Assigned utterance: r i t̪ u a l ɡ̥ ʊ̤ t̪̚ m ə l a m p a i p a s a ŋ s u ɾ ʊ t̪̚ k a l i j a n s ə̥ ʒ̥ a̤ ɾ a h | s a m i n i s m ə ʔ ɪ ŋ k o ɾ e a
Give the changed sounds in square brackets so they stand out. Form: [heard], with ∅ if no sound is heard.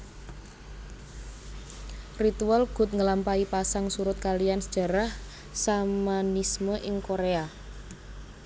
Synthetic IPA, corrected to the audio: r i t̪ u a l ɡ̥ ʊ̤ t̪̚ [ŋ] ə l a m p a i p a s a ŋ s u ɾ ʊ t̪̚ k a l i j a n s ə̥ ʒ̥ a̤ ɾ a h | s a m [a] n i s m ə ʔ ɪ ŋ k o ɾ e a